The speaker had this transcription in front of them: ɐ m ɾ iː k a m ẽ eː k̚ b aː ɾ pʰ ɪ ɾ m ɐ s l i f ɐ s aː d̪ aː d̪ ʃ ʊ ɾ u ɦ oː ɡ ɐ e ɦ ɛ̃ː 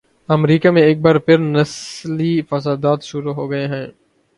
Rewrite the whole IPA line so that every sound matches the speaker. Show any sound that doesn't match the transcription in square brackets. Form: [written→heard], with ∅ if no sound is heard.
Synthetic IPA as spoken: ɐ m ɾ iː k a m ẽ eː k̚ b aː ɾ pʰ ɪ ɾ [m→n] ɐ s l i f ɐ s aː d̪ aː [d̪→t̪] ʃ ʊ ɾ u ɦ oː ɡ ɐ e ɦ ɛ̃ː